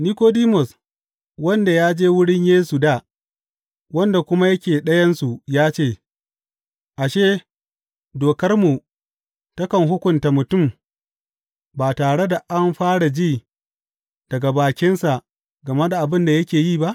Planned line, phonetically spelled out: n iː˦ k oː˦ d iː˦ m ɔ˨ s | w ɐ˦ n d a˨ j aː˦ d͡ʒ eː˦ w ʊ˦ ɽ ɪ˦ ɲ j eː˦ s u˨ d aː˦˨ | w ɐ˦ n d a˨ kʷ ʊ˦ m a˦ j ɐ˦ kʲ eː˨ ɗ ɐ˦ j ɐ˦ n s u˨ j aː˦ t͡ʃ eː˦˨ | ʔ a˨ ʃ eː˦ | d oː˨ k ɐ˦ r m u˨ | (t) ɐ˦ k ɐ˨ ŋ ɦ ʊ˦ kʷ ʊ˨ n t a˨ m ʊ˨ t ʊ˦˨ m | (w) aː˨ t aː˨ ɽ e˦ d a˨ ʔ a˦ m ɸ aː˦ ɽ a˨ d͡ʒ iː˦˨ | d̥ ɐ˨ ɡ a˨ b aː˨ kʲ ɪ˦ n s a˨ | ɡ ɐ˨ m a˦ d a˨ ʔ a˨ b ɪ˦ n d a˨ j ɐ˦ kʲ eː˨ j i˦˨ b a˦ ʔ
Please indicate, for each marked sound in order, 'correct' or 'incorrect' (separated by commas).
correct, incorrect